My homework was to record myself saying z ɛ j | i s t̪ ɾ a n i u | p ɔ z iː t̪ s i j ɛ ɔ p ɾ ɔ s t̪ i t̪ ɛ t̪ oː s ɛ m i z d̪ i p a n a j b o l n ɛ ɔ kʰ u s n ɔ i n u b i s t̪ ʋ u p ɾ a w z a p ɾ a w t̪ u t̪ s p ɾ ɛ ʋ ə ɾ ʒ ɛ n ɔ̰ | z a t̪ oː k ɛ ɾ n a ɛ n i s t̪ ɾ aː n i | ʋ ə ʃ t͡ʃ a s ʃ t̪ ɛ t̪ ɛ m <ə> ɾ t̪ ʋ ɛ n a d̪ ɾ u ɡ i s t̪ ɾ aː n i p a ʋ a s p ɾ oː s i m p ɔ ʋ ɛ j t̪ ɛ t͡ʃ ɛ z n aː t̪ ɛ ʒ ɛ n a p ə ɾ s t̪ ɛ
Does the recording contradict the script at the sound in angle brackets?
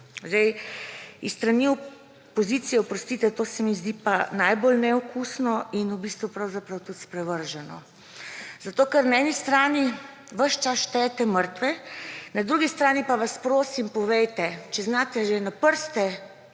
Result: no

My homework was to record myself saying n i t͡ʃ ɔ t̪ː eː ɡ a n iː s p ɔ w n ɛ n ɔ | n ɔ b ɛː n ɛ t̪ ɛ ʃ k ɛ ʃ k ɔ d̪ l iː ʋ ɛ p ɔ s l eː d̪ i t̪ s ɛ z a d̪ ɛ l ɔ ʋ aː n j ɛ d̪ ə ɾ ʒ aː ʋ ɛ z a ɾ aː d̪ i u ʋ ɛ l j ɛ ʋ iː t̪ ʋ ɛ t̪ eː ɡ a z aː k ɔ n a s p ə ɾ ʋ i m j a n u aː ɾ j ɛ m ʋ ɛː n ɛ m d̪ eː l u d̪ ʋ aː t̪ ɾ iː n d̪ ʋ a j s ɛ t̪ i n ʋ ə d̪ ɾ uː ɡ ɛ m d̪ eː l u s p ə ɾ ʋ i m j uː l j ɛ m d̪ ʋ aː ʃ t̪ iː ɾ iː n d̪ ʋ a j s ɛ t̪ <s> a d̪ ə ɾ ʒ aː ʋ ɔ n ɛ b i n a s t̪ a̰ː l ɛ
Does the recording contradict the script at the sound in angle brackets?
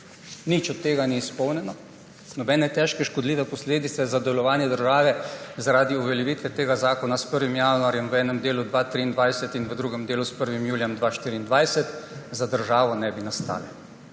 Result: yes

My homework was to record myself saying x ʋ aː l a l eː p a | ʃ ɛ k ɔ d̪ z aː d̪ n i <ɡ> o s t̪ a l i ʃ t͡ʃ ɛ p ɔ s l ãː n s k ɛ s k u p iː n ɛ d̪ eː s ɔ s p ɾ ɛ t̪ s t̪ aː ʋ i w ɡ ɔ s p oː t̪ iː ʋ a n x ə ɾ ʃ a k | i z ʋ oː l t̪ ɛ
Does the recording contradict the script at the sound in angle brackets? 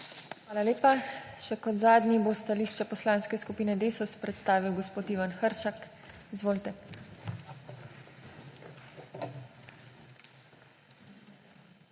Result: yes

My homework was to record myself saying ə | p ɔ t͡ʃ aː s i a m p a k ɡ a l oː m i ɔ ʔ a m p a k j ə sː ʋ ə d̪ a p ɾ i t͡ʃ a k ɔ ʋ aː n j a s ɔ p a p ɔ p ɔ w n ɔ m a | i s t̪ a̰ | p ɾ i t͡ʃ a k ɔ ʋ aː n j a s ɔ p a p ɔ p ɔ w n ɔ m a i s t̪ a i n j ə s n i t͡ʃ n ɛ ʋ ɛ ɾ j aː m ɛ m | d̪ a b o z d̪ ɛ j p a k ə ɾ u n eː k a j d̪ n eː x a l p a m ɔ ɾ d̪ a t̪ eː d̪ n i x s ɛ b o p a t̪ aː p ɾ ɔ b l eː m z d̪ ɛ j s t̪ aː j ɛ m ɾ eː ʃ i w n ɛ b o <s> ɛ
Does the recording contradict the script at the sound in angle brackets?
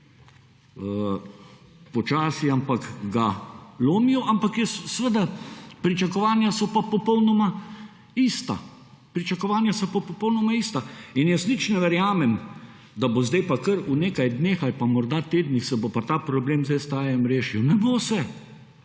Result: no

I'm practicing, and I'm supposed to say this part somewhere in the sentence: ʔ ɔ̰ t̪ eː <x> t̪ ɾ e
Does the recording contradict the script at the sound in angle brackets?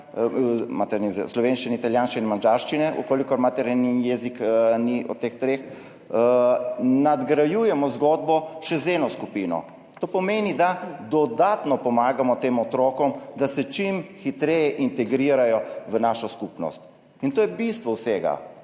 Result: no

